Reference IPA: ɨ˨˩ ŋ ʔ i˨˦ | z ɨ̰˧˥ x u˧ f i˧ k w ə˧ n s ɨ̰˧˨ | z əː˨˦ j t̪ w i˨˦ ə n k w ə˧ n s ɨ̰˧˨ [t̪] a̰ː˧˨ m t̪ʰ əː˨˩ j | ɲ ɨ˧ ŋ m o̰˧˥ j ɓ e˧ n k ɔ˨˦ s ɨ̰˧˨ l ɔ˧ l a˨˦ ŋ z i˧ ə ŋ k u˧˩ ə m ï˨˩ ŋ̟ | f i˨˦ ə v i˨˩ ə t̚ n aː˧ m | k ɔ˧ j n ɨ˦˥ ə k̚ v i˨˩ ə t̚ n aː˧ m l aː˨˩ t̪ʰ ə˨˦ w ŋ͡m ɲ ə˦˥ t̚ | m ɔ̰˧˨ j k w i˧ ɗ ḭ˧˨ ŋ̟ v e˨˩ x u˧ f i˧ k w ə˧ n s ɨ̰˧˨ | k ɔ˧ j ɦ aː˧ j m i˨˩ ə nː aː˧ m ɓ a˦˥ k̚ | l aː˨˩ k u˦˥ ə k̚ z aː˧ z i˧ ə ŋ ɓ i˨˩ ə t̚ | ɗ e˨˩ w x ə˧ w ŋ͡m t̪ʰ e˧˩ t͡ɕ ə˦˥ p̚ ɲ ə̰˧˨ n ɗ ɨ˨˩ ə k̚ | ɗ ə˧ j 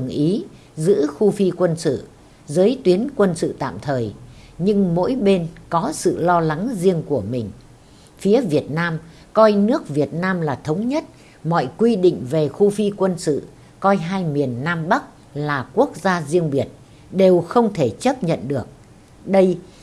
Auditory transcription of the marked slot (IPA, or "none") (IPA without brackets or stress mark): t̪